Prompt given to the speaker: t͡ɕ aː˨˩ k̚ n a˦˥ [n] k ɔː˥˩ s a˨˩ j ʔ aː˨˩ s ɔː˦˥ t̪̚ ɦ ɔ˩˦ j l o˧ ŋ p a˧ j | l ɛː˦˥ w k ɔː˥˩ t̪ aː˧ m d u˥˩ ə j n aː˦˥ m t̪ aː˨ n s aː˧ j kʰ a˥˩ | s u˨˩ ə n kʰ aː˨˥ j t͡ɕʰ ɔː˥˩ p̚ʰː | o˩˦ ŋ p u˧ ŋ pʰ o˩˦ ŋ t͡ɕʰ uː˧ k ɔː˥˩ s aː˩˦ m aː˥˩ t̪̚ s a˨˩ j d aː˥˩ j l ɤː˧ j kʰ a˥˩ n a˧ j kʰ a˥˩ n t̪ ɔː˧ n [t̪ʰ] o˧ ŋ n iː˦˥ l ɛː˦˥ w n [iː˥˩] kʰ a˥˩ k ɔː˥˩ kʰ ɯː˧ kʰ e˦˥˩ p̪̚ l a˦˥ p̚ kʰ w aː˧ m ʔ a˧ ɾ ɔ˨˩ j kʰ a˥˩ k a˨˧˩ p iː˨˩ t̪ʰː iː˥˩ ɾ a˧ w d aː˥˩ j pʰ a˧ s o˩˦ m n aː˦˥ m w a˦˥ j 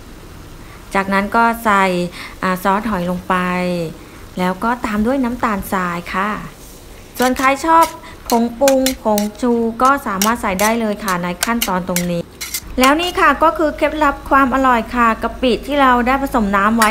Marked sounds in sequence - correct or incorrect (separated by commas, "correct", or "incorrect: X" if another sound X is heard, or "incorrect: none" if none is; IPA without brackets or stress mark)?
correct, incorrect: t̪, correct